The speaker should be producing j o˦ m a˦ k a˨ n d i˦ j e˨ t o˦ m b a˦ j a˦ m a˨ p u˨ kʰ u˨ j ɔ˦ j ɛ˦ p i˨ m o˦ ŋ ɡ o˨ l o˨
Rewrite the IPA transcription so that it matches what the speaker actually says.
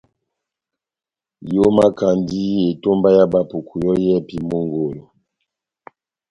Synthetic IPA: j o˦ m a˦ k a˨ n d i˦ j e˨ t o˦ m b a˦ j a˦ b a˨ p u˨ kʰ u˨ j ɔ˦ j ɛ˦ p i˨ m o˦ ŋ ɡ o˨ l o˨

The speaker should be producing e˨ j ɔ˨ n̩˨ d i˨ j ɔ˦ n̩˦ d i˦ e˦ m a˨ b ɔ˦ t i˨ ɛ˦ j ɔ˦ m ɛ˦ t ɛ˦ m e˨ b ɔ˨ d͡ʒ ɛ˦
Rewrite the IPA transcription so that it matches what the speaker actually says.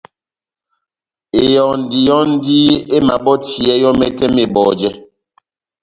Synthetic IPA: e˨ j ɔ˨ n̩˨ d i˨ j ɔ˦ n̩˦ d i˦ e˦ m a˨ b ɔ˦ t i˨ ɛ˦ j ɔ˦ m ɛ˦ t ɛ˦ m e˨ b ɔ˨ d͡ʒ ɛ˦

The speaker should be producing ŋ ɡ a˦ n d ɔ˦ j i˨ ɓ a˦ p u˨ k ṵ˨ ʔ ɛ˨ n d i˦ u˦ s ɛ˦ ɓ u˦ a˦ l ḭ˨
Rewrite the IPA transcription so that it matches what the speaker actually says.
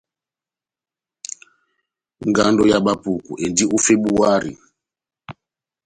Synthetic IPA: ŋ ɡ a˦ n d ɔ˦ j a˨ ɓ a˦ p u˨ k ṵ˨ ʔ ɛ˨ n d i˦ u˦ f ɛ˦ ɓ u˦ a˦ ɾ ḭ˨

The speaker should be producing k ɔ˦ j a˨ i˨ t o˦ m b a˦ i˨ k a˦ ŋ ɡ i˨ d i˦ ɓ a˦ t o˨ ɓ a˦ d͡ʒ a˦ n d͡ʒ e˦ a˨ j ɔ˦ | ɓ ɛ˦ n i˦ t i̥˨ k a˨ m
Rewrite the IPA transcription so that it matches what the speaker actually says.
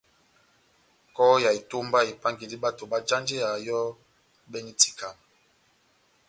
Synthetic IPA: k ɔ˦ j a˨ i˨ t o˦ m b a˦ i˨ p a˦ ŋ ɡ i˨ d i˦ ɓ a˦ t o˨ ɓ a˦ d͡ʒ a˦ n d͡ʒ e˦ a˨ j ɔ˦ | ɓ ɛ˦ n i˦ t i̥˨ k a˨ m

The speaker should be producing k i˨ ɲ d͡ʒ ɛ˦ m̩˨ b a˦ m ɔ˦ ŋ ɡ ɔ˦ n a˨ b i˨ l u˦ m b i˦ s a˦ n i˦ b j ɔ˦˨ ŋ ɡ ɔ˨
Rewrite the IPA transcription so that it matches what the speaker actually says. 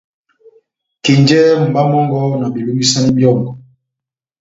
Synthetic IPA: k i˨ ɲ d͡ʒ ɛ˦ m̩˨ b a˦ m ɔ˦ ŋ ɡ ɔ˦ n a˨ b i˨ l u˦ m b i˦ s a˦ n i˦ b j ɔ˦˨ ŋ ɡ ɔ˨

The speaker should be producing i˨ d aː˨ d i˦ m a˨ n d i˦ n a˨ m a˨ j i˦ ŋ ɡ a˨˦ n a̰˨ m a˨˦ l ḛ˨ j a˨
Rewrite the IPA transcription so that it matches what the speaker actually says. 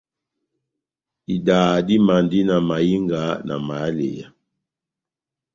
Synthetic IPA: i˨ d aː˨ d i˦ m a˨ n d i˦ n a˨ m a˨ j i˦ ŋ ɡ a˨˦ n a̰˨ m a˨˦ l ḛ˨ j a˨

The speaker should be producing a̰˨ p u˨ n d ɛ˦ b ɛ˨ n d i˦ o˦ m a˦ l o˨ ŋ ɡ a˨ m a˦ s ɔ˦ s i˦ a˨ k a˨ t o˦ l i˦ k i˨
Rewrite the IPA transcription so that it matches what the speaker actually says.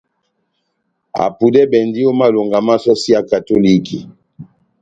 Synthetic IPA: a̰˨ p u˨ d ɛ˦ b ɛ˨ n d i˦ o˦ m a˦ l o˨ ŋ ɡ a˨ m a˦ s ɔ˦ s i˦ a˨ k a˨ t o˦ l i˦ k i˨

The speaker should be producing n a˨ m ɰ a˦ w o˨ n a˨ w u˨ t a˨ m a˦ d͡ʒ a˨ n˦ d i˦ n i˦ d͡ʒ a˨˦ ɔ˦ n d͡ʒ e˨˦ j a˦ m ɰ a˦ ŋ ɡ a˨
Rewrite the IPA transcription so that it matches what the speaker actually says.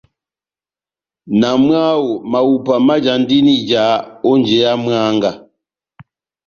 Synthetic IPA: n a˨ m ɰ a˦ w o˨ m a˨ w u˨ p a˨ m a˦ d͡ʒ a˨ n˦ d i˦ n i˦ d͡ʒ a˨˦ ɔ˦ n d͡ʒ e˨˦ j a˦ m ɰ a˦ ŋ ɡ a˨

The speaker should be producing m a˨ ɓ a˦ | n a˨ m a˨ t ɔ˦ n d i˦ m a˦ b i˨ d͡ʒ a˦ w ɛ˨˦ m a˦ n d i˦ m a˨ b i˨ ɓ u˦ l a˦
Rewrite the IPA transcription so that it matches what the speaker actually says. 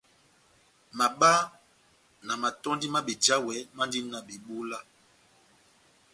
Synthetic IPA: m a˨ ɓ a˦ | n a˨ m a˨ t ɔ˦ n d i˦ m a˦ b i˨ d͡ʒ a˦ w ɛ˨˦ m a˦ n d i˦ n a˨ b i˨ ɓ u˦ l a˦

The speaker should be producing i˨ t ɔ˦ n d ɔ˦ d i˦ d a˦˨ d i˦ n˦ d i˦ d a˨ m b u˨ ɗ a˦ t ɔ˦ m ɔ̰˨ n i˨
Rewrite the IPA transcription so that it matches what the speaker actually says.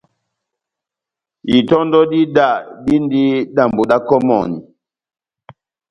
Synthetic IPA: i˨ t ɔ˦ n d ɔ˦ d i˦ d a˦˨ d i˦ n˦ d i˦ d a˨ m b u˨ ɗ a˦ k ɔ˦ m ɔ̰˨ n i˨

